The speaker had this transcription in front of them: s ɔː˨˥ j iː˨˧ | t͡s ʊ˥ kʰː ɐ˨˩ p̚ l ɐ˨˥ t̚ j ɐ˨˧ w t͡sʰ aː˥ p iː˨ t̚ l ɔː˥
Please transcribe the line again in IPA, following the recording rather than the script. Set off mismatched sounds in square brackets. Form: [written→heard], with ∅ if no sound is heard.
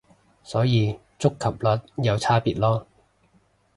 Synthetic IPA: s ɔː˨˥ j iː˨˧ | t͡s ʊ˥ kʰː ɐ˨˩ p̚ l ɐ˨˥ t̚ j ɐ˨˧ w t͡sʰ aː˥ p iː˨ t̚ l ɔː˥